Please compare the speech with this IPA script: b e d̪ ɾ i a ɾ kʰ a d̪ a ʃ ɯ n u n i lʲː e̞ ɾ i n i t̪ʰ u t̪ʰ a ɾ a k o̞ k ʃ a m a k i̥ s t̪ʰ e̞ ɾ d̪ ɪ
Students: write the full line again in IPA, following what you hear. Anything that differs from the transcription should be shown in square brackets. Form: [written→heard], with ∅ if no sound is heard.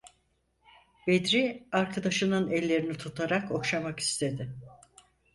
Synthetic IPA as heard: b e d̪ ɾ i a ɾ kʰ a d̪ a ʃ ɯ n [u→ɯ] n [i→ɛ] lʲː e̞ ɾ i n i t̪ʰ u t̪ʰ a ɾ a k o̞ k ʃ a m a k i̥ s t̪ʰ e̞ [ɾ→∅] d̪ ɪ